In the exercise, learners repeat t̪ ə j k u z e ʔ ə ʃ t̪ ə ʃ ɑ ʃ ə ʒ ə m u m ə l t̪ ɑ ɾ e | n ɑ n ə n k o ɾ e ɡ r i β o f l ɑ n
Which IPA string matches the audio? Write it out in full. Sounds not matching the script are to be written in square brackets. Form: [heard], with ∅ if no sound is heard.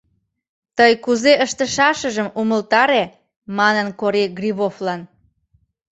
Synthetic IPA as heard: t̪ ə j k u z e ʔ ə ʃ t̪ ə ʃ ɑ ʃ ə ʒ ə m u m ə l t̪ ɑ ɾ e | [m] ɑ n ə n k o ɾ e ɡ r i β o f l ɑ n